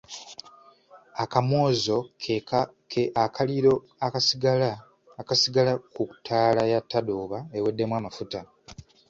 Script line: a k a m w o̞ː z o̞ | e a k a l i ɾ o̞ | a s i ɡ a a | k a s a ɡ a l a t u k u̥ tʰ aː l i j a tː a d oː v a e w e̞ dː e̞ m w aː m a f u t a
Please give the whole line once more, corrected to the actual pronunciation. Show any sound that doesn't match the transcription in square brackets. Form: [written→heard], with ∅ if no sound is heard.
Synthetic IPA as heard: a k a m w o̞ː z o̞ | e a k a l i ɾ o̞ | a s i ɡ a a | k a s [a→i] ɡ a l a [t→k] u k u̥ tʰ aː l [i→a] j a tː a d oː [v→β] a e w e̞ dː e̞ m w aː m a f u t a